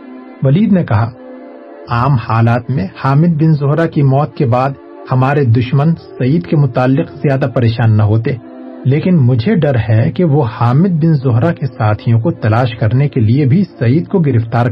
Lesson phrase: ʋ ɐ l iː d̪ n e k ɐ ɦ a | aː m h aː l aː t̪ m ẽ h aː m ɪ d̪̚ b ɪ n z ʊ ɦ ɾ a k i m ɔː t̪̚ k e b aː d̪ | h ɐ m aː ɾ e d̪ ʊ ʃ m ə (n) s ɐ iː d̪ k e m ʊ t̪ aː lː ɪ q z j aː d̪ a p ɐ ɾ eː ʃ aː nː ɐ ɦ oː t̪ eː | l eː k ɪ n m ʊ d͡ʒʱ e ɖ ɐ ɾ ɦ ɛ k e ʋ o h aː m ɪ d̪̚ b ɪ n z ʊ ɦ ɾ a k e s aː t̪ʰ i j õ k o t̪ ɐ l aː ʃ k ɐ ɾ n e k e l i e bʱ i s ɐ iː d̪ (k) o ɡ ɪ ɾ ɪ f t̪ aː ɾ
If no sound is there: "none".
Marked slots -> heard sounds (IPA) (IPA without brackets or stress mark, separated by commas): n, k